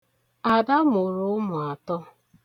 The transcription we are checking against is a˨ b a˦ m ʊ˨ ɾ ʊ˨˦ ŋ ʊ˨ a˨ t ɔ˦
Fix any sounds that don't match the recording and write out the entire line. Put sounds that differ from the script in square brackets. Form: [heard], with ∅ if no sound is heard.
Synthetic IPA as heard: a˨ [d] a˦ m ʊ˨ ɾ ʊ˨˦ [m] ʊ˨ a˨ t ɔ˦